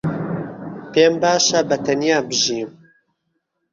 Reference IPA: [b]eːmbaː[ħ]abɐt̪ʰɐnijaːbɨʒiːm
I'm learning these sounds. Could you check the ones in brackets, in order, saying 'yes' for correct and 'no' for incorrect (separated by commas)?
no, no